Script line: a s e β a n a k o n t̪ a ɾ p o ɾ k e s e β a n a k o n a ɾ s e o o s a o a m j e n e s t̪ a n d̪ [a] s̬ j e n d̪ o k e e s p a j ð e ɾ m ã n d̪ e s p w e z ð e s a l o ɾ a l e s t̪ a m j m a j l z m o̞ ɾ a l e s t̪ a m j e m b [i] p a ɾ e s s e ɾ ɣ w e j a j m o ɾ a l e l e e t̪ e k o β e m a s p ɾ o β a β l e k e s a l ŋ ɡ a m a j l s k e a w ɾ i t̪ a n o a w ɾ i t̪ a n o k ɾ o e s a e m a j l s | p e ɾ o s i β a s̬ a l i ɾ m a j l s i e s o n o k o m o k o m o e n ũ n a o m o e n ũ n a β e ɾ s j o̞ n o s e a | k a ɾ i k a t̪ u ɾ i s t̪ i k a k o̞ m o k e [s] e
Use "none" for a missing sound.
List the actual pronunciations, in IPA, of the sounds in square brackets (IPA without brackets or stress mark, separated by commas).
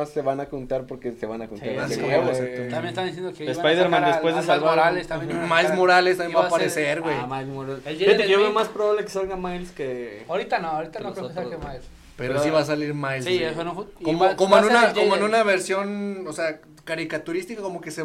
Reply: i, a, s